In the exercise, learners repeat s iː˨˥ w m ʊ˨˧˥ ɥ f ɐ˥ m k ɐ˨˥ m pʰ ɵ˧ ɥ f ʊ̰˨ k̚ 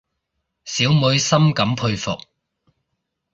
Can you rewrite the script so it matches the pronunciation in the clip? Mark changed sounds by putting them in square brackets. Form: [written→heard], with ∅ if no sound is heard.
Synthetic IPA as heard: s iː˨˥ w m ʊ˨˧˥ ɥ [f→s] ɐ˥ m k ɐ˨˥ m pʰ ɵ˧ ɥ f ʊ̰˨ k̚